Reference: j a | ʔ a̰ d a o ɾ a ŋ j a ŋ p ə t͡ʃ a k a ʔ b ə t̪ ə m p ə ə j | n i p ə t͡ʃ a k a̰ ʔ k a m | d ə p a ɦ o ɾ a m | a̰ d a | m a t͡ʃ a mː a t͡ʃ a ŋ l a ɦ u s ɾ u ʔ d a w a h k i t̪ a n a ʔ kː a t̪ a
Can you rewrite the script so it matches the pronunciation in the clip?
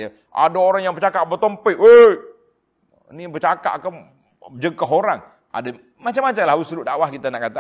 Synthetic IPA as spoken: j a | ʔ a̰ d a o ɾ a ŋ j a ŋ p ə t͡ʃ a k a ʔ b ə t̪ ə m p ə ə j | n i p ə t͡ʃ a k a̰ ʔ k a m | d͡ʒ ə k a ɦ o ɾ a ŋ | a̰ d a | m a t͡ʃ a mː a t͡ʃ a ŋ l a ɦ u s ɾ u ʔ d a w a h k i t̪ a n a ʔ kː a t̪ a